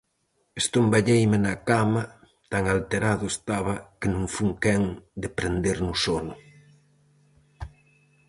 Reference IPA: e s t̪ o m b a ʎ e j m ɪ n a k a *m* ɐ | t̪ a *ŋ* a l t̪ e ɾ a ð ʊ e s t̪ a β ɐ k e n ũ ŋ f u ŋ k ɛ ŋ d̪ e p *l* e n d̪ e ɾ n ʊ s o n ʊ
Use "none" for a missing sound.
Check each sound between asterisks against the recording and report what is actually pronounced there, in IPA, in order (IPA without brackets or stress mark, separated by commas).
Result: m, ŋ, ɾ